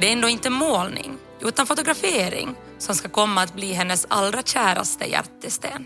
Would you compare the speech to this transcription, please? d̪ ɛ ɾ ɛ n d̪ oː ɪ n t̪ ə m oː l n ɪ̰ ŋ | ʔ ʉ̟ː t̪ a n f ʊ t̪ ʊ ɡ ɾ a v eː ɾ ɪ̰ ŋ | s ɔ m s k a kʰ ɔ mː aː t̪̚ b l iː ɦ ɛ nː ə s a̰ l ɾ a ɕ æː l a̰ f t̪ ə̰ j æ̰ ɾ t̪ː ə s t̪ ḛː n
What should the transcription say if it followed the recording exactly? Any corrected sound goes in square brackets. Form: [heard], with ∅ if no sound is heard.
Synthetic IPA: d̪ ɛ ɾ ɛ n d̪ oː ɪ n t̪ ə m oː l n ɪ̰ ŋ | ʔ ʉ̟ː t̪ a n f ʊ t̪ ʊ ɡ ɾ a [f] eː ɾ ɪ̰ ŋ | s ɔ m s k a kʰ ɔ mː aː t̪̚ b l iː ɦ ɛ nː ə s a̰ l ɾ a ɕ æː [ɾ] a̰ [s] t̪ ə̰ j æ̰ ɾ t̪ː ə s t̪ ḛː n